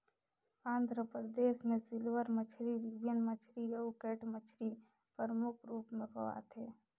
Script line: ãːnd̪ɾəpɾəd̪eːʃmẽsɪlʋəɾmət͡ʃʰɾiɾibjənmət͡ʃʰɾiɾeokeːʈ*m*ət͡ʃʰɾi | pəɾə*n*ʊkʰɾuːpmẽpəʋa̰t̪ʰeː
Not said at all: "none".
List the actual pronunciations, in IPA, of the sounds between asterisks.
m, m

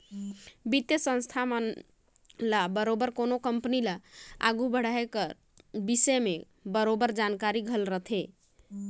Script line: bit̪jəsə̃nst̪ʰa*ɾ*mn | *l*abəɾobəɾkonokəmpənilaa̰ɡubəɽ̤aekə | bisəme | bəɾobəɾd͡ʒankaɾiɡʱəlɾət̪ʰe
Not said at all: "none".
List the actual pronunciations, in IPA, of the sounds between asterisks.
none, l

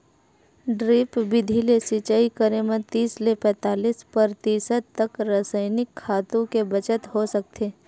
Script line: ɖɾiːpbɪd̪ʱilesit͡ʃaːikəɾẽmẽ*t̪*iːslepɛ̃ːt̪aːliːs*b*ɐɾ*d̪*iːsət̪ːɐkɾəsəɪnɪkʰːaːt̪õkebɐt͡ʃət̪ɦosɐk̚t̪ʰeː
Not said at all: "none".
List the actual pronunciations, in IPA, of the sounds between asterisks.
t̪, p, t̪

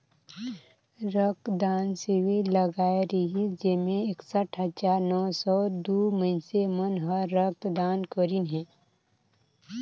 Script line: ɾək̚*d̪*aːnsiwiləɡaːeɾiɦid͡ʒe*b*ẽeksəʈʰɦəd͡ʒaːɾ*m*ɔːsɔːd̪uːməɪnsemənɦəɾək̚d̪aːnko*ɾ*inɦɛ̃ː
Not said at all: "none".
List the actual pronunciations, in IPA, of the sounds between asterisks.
d̪, m, n, ɾ

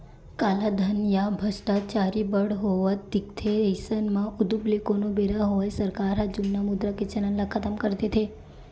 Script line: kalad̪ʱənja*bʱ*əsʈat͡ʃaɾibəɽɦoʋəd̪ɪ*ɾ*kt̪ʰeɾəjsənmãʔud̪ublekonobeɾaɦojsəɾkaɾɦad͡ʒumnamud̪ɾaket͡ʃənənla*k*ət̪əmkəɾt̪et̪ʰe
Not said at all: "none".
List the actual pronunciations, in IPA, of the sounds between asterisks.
bʱ, none, kʰ

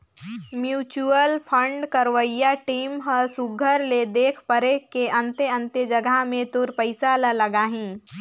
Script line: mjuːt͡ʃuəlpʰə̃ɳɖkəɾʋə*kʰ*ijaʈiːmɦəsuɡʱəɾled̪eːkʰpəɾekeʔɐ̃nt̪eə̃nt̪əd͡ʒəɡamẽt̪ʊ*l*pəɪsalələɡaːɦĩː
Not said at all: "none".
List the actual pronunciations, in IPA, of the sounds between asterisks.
none, ɾ

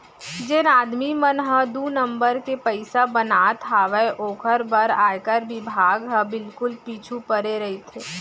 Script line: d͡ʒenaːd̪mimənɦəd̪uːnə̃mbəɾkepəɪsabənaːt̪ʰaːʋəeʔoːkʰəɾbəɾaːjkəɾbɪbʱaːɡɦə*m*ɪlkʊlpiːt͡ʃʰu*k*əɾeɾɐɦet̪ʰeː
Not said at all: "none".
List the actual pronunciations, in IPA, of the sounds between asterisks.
b, p

